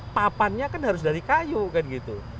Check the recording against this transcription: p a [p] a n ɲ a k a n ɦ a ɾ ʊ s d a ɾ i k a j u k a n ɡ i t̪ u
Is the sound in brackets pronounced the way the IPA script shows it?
yes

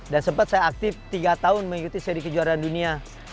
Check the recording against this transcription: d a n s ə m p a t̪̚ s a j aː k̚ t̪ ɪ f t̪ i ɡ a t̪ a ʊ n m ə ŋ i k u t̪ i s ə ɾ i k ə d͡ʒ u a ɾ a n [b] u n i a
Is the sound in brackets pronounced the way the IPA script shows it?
no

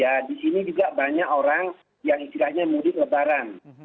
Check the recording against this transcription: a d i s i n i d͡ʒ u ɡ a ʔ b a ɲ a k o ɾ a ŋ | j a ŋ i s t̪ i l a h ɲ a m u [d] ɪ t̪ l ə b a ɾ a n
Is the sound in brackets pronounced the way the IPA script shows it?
yes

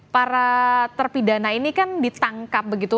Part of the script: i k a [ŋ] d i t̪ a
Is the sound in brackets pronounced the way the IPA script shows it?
no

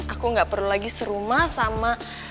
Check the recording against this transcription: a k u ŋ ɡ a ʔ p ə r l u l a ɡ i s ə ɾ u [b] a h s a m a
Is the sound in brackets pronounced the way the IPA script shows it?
no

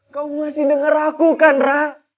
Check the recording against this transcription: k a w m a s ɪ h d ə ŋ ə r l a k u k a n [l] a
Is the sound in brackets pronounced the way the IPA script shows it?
no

